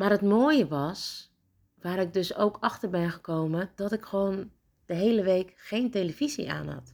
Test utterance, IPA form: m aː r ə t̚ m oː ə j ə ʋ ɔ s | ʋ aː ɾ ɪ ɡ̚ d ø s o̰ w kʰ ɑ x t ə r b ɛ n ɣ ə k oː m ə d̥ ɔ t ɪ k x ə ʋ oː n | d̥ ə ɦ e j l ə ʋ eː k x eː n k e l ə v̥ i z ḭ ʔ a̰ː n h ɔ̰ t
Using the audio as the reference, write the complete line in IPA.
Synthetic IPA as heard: m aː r ə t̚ m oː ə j ə ʋ ɔ s | ʋ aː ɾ ɪ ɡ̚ d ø s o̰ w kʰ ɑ x t ə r b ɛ n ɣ ə k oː m ə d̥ ɔ t ɪ k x ə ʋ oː n | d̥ ə ɦ e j l ə ʋ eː k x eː n t e l ə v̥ i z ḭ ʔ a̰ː n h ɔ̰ t